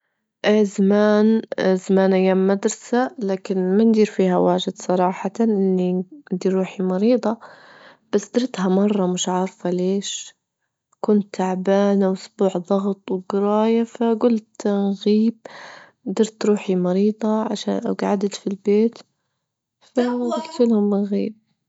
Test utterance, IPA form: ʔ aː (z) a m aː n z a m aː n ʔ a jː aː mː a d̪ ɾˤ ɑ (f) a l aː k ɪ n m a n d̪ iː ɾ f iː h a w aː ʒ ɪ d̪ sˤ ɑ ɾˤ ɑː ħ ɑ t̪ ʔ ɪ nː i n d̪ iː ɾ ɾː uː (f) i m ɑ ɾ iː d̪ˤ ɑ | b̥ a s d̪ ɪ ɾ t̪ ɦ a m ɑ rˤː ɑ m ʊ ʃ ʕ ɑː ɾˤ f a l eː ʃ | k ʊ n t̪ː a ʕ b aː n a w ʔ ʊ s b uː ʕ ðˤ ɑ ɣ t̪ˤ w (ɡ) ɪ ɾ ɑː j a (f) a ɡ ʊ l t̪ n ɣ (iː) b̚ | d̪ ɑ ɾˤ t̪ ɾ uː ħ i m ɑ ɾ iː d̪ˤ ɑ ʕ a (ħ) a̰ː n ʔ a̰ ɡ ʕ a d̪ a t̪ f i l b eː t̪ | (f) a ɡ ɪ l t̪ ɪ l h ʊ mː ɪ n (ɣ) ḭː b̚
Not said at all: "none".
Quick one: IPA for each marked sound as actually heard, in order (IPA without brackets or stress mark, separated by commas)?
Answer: z, s, ħ, ɡ, f, iː, ʃ, f, ɣ